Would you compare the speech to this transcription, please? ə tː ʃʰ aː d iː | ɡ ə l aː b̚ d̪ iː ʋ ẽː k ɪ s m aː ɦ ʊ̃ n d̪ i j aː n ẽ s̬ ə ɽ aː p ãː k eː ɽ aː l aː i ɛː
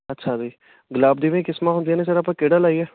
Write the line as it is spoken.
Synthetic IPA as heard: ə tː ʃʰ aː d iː | ɡ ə l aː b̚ d̪ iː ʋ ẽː k ɪ s m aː ɦ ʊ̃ n d̪ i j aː n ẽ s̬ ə ɾ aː p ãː k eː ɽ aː l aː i ɛː